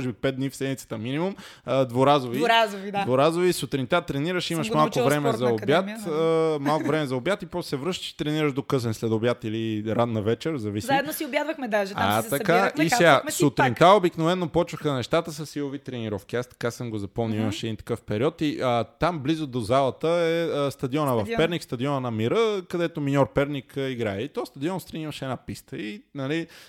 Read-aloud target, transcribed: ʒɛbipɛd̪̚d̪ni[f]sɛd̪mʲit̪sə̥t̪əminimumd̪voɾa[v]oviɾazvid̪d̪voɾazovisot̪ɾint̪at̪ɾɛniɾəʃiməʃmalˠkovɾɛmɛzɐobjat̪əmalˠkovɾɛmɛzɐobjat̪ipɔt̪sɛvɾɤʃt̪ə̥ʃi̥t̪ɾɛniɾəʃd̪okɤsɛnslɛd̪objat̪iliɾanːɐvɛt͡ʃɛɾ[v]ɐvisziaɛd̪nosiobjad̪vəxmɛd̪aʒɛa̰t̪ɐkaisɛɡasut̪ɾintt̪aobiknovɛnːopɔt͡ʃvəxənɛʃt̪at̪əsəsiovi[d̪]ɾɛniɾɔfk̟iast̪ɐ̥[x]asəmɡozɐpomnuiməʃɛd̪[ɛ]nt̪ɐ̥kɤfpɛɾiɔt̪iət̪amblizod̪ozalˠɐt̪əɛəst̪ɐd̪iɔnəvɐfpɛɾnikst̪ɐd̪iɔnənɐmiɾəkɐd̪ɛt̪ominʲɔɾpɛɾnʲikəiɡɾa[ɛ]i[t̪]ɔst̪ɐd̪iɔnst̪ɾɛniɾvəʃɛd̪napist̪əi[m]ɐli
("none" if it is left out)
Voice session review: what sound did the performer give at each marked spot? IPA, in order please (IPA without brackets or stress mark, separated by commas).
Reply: f, z, z, t̪, k, i, ɛ, t̪, n